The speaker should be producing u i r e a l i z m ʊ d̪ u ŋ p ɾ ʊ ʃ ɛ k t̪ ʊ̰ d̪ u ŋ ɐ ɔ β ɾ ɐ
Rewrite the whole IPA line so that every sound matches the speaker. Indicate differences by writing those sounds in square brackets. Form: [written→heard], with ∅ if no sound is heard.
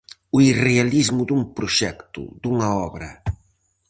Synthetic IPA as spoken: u i r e a l i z m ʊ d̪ u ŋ p ɾ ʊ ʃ ɛ k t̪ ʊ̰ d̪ u ŋ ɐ ɔ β ɾ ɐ